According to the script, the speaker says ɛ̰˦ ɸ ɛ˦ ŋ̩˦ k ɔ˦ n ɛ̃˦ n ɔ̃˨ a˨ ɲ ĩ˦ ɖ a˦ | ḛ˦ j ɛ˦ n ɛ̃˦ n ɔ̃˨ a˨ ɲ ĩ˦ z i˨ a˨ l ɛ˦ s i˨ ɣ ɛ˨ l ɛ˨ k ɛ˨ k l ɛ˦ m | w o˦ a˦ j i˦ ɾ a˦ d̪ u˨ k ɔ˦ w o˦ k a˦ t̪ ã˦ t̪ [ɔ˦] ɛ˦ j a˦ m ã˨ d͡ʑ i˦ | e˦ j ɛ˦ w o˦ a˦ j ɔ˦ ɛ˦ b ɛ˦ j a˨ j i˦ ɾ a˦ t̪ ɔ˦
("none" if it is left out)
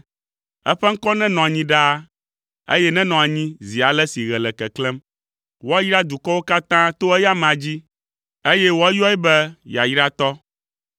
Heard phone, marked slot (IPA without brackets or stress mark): o˦